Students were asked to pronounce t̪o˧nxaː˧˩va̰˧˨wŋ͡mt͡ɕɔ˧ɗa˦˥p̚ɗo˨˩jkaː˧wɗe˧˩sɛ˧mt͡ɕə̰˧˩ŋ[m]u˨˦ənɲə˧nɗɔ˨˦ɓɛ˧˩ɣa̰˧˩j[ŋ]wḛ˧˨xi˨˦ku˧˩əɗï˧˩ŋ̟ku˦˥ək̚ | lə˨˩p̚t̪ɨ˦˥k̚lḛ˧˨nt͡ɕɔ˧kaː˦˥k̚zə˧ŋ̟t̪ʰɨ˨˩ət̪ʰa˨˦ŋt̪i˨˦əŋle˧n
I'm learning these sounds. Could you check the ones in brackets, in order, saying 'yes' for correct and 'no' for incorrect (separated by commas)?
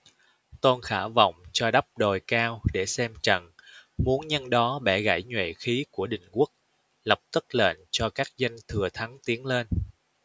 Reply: yes, no